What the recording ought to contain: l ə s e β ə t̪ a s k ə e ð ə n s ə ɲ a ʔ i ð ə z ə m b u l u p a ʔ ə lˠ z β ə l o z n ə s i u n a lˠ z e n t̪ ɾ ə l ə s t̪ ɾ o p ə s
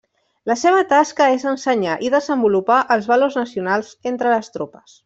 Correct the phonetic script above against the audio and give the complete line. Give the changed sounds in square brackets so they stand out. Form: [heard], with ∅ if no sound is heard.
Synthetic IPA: l ə s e β ə t̪ a s k ə e [z] ə n s ə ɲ a ʔ i ð ə z ə m b u l u p a ʔ ə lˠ z β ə l o z n ə s i u n a lˠ z e n t̪ ɾ ə l ə s t̪ ɾ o p ə s